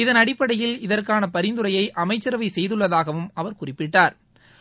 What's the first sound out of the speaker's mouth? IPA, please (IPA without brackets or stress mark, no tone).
ɪ